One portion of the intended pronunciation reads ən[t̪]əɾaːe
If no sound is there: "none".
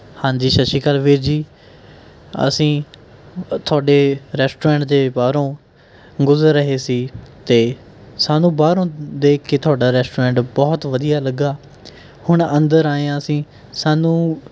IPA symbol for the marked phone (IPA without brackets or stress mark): d̪